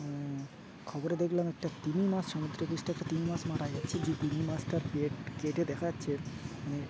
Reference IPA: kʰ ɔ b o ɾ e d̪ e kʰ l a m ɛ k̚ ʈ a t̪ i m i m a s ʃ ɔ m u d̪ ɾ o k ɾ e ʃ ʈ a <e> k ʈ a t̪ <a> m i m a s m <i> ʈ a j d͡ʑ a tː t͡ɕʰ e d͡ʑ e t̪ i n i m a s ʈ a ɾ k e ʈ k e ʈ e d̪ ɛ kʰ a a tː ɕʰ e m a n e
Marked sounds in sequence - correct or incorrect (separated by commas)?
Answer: incorrect, incorrect, incorrect